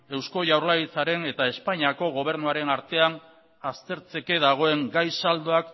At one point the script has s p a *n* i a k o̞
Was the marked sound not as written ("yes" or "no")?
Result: yes